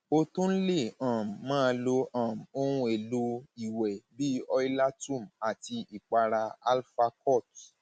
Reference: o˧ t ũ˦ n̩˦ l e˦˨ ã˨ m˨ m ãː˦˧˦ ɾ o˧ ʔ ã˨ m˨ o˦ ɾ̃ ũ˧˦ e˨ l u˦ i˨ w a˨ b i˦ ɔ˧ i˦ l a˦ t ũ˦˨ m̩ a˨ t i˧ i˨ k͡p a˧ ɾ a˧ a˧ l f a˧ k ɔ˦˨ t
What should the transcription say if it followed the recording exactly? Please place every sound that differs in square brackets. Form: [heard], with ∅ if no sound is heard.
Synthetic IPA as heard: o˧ t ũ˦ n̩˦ l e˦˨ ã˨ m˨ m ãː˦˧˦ [l] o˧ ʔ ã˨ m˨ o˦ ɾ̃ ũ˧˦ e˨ l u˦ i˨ w [ɛ˨] b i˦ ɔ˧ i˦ l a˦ t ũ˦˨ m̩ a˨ t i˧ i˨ k͡p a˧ ɾ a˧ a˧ l f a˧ k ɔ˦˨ t